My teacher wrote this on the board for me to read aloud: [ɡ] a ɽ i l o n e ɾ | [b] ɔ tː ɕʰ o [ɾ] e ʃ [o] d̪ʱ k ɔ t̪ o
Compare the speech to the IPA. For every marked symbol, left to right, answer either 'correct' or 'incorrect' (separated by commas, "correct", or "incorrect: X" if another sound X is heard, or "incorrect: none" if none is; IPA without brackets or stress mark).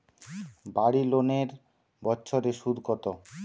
incorrect: b, correct, correct, incorrect: u